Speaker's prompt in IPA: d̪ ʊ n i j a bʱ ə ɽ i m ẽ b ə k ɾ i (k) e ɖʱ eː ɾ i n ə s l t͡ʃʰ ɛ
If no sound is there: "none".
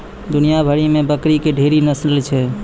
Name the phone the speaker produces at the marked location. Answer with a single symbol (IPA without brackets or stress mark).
k